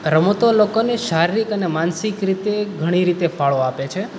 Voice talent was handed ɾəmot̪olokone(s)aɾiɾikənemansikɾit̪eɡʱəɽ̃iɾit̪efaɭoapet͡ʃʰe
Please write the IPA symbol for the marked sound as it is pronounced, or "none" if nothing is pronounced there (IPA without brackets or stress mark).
ʃ